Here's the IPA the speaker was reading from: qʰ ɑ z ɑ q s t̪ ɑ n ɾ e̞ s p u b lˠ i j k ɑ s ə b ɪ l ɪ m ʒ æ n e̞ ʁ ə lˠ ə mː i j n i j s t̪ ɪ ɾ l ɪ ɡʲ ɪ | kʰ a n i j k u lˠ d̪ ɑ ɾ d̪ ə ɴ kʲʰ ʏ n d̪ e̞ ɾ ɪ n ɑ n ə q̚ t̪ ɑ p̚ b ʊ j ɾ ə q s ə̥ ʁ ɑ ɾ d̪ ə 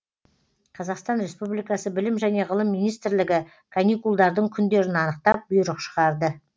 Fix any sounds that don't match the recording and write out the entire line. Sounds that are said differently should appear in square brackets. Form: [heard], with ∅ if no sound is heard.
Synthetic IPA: qʰ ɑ z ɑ q s t̪ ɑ n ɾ e̞ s p u b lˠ i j k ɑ s ə b ɪ l ɪ m ʒ æ n e̞ ʁ ə lˠ ə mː i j n i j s t̪ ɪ ɾ l ɪ ɡʲ ɪ | kʰ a n i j k u lˠ d̪ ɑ ɾ d̪ ə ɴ kʲʰ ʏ n d̪ e̞ ɾ ɪ n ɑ n ə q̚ t̪ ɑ p̚ b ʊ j ɾ ə q [ʃ] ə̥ ʁ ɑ ɾ d̪ ə